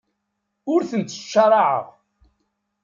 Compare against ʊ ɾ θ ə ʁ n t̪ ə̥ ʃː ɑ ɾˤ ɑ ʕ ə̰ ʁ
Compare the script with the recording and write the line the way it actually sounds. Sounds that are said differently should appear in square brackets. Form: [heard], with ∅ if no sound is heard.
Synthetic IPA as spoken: ʊ ɾ θ ə [∅] n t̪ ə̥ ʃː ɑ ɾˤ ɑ ʕ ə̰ ʁ